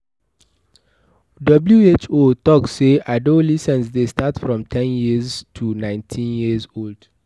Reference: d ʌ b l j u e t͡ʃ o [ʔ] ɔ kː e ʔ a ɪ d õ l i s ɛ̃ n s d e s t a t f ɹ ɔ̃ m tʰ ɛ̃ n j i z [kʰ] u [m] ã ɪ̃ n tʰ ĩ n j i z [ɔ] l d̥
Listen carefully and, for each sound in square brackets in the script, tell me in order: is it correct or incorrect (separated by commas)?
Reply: incorrect, incorrect, incorrect, incorrect